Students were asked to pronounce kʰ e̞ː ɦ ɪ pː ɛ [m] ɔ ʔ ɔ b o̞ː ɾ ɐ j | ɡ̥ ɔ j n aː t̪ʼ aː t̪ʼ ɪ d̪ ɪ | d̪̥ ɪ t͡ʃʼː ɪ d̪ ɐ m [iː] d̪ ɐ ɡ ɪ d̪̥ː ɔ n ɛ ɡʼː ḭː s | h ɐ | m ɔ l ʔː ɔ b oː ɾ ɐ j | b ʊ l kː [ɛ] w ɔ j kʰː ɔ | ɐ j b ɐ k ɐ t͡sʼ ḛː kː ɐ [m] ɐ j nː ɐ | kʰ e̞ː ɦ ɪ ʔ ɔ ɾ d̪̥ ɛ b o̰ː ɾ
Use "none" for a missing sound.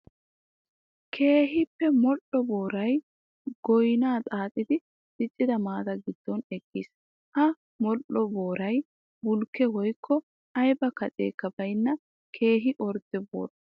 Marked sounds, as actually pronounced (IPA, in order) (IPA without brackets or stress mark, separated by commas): m, aː, ɛ, b